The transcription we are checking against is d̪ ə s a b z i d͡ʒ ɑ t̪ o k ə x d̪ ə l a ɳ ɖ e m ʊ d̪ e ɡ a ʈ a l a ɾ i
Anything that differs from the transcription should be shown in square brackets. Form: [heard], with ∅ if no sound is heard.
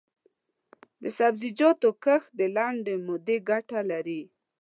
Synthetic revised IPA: d̪ ə s a b z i d͡ʒ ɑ t̪ o k ə x d̪ ə l a ɳ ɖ e m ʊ d̪ e ɡ a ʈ a l a ɾ i